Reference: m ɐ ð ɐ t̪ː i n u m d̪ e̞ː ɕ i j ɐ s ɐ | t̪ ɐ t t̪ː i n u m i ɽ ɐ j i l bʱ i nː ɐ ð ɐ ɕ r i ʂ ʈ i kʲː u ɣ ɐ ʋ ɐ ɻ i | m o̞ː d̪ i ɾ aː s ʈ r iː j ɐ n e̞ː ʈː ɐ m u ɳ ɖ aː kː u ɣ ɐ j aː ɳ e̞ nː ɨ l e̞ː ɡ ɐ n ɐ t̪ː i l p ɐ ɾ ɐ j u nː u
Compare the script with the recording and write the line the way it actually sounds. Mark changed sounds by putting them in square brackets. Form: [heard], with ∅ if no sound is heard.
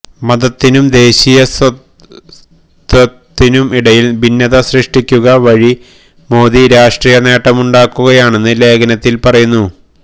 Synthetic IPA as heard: m ɐ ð ɐ t̪ː i n u m d̪ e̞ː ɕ i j ɐ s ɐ | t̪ ɐ t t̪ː i n u m i ɽ ɐ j i l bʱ i nː ɐ ð ɐ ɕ r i ʂ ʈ i kʲː u ɣ ɐ ʋ ɐ ɻ i | m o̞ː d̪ i ɾ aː [ʂ] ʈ r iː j ɐ n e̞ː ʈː ɐ m u ɳ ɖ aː kː u ɣ ɐ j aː ɳ e̞ nː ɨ l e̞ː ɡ ɐ n ɐ t̪ː i l p ɐ [r] ɐ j u nː u